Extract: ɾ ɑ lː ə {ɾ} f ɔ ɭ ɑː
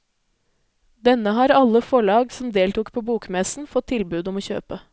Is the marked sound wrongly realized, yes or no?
yes